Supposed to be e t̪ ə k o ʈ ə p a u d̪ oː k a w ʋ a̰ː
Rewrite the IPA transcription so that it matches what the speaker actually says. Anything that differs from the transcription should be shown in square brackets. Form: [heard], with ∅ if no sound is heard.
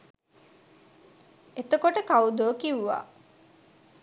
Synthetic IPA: e t̪ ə k o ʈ ə [k] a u d̪ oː k [i] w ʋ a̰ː

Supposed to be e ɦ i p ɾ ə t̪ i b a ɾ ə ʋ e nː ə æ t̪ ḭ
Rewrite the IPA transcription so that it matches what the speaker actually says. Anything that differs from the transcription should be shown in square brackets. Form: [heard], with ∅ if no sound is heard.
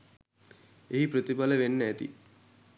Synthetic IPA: e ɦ i p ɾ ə t̪ i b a [l] ə ʋ e nː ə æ t̪ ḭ

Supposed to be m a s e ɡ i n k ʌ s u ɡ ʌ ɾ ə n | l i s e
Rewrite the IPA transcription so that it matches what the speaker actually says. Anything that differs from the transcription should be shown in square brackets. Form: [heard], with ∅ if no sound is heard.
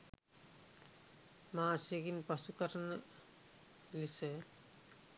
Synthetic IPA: m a s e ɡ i n [p] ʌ s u [k] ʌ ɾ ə n | l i s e

